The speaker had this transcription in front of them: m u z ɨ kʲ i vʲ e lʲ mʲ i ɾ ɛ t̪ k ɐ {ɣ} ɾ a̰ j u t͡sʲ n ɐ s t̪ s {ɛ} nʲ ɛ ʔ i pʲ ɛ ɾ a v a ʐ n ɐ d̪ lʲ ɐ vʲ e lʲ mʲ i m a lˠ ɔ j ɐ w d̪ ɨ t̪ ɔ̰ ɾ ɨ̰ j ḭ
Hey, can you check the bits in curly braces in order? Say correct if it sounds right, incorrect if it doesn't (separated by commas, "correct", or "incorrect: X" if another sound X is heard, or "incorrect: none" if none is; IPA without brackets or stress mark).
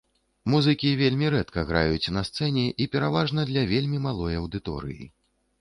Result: correct, correct